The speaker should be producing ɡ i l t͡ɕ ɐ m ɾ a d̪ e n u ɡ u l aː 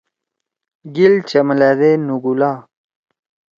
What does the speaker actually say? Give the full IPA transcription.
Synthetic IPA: ɡ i l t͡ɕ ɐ m l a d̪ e n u ɡ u l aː